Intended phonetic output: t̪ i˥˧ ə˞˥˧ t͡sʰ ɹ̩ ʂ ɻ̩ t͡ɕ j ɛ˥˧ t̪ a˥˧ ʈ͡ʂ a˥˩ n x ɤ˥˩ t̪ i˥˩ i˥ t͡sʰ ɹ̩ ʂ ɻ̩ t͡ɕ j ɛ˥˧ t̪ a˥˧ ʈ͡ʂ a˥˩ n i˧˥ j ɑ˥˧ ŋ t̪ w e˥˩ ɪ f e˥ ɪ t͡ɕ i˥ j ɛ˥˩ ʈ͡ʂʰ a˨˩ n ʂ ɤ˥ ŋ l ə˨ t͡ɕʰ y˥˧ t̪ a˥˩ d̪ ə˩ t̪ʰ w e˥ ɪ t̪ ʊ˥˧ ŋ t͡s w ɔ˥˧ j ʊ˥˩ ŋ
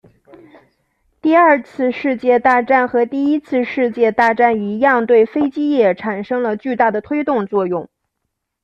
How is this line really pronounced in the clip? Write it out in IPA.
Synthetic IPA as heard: t̪ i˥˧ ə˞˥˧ t͡sʰ ɹ̩ ʂ ɻ̩ t͡ɕ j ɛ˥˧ t̪ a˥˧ ʈ͡ʂ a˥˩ n x ɤ˧˥ t̪ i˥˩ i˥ t͡sʰ ɹ̩ ʂ ɻ̩ t͡ɕ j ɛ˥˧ t̪ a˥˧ ʈ͡ʂ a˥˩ n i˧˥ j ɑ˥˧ ŋ t̪ w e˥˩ ɪ f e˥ ɪ t͡ɕ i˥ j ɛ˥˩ ʈ͡ʂʰ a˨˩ n ʂ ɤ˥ ŋ l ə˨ t͡ɕ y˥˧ t̪ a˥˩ d̪ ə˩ t̪ʰ w e˥ ɪ t̪ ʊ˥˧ ŋ t͡s w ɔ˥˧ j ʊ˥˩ ŋ